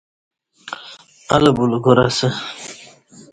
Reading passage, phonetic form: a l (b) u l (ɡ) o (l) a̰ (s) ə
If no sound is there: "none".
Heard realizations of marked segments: b, ɡ, ɾ, s

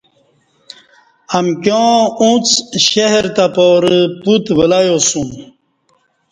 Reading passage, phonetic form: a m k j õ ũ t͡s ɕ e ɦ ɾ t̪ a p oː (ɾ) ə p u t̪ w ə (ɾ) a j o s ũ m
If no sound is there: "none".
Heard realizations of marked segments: ɾ, l

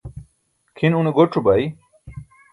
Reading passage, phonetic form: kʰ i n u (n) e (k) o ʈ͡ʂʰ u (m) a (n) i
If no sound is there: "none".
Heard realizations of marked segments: n, ɡ, b, none

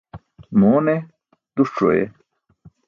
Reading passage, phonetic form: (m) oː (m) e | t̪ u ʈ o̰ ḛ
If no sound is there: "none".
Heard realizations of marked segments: m, n

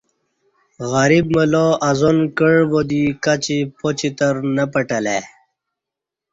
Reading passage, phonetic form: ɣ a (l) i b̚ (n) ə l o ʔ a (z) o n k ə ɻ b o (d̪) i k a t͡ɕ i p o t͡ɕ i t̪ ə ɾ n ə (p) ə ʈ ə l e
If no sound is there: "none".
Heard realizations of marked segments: ɾ, m, z, d̪, p

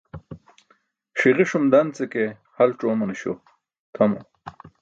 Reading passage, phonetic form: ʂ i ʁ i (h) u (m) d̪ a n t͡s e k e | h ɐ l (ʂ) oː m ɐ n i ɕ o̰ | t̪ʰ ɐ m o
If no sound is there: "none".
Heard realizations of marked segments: ʂ, m, ʈ͡ʂ

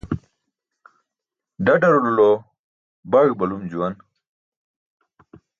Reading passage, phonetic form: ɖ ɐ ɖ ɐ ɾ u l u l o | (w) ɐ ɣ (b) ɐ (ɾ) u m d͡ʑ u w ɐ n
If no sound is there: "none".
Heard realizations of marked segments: b, b, l

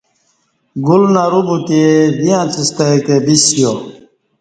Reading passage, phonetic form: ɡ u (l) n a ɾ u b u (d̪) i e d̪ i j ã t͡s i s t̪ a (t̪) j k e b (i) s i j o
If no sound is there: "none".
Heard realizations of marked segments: l, t̪, none, i

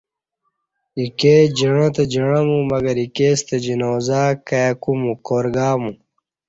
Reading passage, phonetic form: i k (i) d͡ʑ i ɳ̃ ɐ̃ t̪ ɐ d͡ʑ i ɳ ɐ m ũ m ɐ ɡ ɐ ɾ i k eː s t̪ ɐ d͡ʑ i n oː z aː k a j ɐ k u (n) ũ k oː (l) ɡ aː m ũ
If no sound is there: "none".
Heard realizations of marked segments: e, m, ɾ

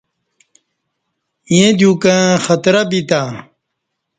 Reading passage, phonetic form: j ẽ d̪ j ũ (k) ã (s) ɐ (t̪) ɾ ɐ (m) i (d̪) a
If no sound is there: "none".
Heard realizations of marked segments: k, x, t̪, b, t̪

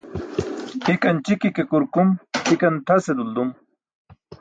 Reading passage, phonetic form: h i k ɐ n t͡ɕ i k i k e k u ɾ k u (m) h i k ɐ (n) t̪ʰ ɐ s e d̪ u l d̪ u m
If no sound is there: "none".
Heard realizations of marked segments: m, n

